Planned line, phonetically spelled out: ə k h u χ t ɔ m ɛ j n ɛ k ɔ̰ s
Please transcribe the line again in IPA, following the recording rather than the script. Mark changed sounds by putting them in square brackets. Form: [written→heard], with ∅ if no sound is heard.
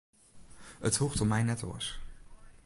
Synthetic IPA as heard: ə [k→t] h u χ t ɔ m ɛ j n ɛ [k→t] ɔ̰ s